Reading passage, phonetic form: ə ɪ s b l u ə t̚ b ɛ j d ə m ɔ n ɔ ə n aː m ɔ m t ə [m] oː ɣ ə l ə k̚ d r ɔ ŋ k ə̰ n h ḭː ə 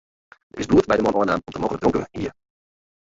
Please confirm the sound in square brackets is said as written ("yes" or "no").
yes